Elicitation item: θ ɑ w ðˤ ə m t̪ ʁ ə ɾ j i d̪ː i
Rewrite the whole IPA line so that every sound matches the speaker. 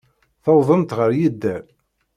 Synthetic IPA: θ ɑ w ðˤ ə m t̪ ʁ ə ɾ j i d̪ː æ